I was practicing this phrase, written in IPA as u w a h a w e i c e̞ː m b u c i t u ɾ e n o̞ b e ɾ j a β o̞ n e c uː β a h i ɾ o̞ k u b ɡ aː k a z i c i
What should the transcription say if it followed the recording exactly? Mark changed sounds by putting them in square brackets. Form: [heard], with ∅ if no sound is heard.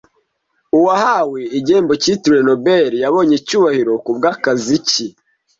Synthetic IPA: u w a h a w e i [ɟ] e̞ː m b [o] c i t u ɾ e n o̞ b e ɾ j a β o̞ [ɲ] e c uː β a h i ɾ o̞ k u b ɡ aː k a z i c i